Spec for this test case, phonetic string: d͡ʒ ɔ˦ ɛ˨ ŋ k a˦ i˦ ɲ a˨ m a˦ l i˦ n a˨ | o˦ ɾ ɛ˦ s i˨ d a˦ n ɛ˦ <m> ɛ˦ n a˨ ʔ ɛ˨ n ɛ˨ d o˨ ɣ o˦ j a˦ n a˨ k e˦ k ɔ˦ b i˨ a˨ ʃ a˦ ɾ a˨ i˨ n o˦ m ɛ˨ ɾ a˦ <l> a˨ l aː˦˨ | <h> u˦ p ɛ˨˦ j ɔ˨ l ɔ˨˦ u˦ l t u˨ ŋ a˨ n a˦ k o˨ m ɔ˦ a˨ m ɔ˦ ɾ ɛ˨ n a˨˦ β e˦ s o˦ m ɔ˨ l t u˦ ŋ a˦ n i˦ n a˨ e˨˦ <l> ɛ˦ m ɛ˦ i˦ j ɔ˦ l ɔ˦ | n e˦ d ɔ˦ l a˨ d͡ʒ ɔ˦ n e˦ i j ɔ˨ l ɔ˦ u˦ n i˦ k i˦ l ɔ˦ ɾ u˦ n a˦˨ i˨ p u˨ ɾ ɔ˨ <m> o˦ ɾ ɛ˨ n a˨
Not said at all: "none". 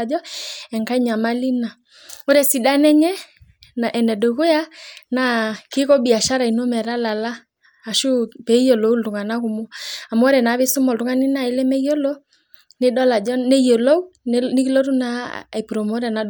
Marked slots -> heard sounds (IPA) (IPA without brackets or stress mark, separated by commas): ɲ, l, ʃ, l, m